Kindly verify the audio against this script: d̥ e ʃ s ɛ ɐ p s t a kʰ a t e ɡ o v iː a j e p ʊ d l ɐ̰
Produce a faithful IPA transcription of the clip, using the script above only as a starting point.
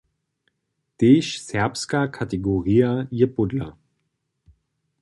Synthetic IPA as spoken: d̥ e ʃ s ɛ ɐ p s k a kʰ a t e ɡ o ʁ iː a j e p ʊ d l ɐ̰